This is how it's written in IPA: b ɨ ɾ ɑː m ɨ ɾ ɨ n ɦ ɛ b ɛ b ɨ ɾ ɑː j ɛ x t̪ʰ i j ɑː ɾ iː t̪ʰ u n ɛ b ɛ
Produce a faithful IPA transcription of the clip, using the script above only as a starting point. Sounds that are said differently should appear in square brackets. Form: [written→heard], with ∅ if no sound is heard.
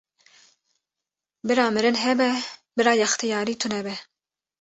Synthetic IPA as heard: b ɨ ɾ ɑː m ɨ ɾ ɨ n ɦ ɛ b ɛ b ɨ ɾ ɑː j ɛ x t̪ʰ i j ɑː ɾ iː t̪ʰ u n ɛ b ɛ